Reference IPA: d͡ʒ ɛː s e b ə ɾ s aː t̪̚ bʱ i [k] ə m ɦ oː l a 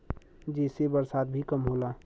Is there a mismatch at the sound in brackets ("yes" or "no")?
no